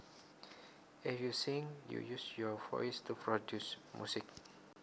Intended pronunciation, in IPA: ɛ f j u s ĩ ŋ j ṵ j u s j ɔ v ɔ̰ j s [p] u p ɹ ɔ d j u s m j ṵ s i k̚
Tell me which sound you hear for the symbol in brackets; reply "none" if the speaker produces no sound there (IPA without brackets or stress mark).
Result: t